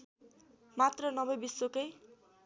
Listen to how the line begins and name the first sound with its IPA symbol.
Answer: m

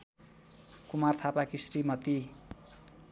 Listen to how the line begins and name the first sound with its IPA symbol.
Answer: k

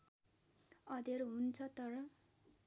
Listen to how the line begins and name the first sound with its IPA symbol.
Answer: ʌ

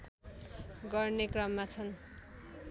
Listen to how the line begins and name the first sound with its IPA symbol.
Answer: ɡ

